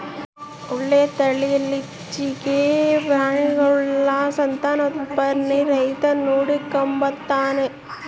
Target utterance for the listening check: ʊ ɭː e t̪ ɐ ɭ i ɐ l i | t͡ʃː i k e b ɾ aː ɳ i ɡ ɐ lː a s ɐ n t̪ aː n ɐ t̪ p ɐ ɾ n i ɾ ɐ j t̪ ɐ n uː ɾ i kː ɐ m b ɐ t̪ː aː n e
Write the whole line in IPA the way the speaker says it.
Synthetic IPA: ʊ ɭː e t̪ ɐ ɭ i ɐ l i | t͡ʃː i k e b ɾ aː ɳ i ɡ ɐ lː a s ɐ n t̪ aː n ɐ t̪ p ɐ ɾ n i ɾ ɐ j t̪ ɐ n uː ɽ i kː ɐ m b ɐ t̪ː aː n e